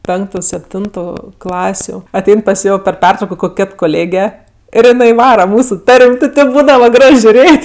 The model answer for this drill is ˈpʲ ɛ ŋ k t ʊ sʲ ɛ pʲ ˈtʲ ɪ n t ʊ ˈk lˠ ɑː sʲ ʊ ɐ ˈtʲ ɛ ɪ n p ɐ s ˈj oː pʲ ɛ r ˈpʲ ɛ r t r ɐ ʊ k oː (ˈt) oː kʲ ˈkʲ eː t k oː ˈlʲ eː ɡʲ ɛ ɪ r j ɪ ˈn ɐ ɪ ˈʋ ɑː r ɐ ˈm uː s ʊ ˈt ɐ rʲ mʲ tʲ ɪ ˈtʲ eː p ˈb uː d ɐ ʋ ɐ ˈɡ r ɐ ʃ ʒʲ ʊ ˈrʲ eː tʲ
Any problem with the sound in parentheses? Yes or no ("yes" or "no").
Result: yes